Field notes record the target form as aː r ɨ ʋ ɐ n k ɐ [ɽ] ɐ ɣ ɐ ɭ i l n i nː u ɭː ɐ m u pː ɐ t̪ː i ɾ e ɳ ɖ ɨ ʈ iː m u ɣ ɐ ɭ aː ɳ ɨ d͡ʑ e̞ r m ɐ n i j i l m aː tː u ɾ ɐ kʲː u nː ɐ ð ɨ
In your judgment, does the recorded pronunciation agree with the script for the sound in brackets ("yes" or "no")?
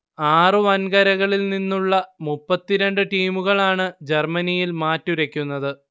no